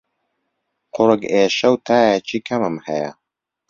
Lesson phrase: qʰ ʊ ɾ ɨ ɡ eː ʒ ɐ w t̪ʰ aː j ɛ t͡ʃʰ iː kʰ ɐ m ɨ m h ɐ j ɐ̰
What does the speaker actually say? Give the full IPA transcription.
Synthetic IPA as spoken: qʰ ʊ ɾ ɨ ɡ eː ʃ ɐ w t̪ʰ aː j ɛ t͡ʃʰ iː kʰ ɐ m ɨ m h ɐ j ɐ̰